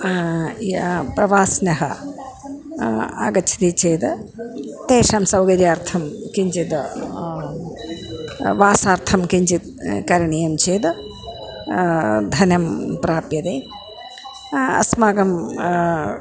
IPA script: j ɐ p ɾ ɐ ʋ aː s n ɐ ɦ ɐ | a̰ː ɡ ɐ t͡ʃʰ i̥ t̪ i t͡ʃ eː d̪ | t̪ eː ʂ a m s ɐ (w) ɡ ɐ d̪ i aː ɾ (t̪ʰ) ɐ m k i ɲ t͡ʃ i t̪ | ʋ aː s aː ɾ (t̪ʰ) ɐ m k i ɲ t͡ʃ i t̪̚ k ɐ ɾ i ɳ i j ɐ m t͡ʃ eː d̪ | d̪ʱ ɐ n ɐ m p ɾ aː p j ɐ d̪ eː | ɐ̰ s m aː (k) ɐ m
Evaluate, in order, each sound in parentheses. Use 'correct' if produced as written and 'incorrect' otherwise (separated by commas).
correct, correct, correct, incorrect